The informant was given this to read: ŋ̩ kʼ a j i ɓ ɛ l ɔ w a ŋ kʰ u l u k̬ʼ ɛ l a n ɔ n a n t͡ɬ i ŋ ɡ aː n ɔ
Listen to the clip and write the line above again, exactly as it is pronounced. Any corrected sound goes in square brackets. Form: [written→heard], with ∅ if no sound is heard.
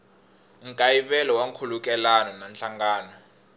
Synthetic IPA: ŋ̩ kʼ a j i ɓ ɛ l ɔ w a ŋ kʰ u l u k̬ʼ ɛ l a n ɔ n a n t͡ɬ [i→a] ŋ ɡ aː n ɔ